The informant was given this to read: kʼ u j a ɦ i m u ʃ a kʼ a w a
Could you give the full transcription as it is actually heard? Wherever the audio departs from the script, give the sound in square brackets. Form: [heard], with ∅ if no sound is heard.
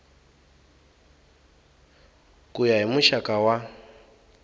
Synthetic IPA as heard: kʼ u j a ɦ i m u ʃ a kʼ a w a